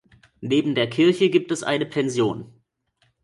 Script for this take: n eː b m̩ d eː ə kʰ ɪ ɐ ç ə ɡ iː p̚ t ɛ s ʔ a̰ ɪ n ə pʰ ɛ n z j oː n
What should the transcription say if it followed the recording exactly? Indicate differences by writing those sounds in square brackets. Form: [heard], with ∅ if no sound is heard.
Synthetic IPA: n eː b m̩ d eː [ɐ] kʰ ɪ ɐ ç ə ɡ iː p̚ t ɛ s ʔ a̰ ɪ n ə pʰ ɛ n z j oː n